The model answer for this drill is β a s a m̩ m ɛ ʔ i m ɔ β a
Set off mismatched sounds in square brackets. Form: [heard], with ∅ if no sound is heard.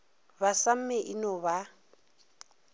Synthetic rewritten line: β a s a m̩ m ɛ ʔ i [n] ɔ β a